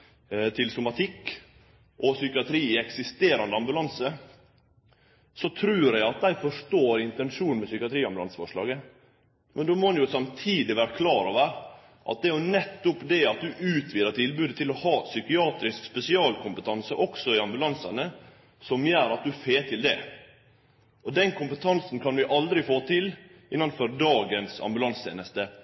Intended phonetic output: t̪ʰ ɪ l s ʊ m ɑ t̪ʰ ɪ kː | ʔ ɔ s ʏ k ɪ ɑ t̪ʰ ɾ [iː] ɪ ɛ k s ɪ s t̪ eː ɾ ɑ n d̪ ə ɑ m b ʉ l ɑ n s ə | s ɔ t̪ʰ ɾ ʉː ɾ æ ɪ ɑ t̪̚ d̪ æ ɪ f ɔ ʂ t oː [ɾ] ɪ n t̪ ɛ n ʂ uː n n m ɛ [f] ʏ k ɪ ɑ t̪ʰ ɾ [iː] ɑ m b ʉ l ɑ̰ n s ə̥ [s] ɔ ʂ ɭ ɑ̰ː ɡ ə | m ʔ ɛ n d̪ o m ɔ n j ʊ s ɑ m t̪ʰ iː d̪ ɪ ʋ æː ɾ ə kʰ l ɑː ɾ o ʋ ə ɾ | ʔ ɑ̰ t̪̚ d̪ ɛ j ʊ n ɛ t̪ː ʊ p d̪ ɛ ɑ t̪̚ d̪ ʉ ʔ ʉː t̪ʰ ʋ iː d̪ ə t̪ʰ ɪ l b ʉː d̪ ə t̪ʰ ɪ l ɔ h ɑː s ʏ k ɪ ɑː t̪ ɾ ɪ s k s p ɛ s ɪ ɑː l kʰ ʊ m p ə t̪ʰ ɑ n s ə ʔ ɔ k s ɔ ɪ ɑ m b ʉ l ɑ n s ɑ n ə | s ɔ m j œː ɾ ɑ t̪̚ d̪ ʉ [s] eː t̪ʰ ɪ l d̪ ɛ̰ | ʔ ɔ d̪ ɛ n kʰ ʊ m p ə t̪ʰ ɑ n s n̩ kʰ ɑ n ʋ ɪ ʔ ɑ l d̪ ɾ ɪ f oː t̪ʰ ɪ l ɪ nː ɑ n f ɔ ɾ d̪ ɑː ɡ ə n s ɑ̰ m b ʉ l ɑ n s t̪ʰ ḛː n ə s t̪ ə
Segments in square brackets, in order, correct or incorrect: correct, correct, incorrect: s, correct, incorrect: f, incorrect: f

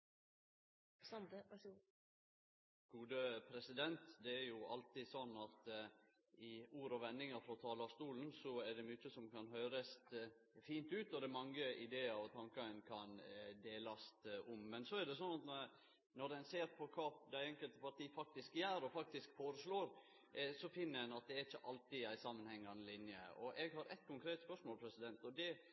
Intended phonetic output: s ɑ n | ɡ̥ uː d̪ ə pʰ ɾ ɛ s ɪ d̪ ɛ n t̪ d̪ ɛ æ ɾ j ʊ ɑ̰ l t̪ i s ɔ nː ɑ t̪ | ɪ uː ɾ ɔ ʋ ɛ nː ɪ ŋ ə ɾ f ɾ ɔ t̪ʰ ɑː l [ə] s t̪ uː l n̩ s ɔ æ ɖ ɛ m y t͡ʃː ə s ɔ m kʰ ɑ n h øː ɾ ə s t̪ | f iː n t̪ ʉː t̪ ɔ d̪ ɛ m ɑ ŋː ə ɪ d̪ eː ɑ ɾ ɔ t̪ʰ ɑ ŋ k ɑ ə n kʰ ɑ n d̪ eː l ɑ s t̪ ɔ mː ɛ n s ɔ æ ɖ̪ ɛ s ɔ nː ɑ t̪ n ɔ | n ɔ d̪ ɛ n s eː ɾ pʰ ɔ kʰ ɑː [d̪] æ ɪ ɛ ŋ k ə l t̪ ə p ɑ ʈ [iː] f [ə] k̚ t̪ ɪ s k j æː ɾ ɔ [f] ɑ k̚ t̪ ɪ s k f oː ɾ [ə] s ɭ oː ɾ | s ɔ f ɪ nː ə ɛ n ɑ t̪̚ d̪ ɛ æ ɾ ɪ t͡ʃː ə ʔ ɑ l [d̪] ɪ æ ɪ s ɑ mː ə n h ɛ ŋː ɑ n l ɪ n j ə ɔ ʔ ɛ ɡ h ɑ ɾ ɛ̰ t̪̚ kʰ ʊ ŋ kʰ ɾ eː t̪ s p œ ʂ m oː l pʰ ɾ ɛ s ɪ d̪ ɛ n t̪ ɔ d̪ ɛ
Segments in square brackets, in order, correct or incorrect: incorrect: ɑ, correct, correct, incorrect: ɑ, correct, correct, incorrect: t̪

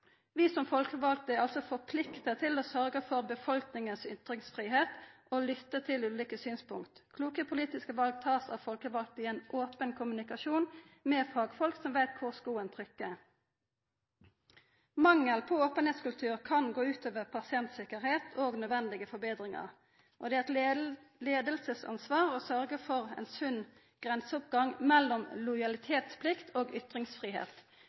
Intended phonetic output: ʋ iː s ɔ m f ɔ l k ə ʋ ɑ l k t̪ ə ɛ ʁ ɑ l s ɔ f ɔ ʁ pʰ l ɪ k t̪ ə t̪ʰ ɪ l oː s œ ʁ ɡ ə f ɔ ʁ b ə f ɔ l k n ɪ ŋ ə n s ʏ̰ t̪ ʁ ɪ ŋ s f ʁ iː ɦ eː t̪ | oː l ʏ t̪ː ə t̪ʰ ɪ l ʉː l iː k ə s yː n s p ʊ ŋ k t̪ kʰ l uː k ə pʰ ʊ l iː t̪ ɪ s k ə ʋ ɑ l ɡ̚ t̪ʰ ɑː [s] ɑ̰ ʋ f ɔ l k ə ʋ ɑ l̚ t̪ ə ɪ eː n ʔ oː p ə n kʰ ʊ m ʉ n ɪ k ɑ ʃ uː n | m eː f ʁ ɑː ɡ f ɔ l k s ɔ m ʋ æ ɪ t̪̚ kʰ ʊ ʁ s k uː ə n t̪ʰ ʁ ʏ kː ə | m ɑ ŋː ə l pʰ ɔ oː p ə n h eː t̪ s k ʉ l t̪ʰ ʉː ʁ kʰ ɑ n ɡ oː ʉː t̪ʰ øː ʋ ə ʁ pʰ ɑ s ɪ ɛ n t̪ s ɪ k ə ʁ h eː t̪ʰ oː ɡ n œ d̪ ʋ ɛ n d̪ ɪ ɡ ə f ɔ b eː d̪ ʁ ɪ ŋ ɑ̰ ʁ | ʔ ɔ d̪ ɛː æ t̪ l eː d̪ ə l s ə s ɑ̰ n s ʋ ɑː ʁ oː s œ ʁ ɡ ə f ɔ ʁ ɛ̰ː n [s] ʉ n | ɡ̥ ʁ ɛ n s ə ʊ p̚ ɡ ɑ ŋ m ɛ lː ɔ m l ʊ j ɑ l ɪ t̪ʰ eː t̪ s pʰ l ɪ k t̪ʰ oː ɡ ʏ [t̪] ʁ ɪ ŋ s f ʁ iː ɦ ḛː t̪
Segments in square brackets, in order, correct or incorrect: correct, correct, correct

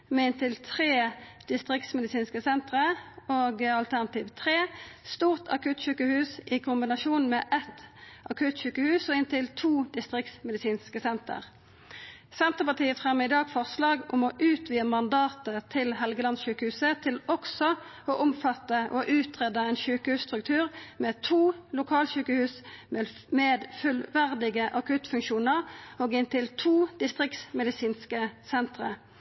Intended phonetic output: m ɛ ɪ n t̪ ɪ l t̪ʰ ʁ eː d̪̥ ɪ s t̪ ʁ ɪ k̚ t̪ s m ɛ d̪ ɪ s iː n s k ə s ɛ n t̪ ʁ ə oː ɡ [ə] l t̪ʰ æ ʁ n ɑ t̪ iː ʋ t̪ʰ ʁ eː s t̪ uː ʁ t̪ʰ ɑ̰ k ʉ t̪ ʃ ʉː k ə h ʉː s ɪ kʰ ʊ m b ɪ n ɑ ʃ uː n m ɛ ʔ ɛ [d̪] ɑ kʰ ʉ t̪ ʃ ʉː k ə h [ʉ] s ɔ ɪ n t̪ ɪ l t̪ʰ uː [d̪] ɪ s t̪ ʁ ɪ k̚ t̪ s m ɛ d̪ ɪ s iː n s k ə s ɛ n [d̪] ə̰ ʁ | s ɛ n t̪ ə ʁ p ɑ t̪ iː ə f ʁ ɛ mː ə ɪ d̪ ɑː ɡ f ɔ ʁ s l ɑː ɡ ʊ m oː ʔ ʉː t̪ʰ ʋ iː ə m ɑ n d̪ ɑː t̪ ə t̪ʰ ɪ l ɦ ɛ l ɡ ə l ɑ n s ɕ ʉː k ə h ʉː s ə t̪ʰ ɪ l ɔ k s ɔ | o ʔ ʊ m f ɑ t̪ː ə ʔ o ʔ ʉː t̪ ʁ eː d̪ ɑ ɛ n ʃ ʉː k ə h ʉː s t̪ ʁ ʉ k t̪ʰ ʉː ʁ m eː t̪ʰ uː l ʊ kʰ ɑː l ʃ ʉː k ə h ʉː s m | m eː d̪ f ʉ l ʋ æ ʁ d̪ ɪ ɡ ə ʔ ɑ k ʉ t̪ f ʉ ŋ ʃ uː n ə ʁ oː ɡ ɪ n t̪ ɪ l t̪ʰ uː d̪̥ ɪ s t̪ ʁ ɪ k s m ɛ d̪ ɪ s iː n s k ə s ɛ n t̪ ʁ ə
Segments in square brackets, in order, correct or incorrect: incorrect: ɑ, incorrect: t̪, incorrect: ʉː, correct, incorrect: t̪

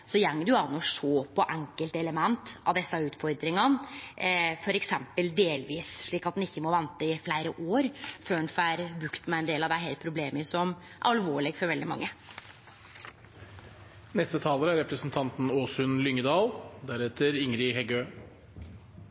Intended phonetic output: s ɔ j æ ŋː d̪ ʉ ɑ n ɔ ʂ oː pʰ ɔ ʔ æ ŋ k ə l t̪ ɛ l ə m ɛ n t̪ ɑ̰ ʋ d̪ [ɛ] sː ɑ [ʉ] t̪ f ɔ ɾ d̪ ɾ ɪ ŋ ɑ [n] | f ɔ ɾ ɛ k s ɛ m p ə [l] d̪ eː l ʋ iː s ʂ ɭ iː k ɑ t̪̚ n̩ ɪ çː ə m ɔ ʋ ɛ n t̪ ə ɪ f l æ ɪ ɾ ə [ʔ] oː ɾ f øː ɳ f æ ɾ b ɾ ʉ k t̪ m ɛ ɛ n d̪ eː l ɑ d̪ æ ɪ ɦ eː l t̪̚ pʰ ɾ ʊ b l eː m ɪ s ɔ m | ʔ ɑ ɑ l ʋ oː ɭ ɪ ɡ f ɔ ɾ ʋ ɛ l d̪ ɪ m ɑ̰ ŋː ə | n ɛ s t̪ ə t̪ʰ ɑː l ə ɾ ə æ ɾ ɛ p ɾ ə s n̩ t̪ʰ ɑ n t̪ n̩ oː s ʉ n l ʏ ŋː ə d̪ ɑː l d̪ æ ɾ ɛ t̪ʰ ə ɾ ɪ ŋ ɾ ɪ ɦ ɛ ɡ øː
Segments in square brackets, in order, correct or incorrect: correct, incorrect: ʉː, correct, correct, correct

